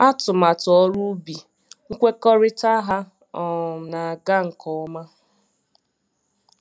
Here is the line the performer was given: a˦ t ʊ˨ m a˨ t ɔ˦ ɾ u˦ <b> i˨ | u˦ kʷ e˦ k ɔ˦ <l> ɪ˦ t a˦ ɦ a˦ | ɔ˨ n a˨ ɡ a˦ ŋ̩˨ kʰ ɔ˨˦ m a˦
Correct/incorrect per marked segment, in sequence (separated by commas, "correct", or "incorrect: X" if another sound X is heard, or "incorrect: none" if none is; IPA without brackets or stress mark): correct, incorrect: ɾ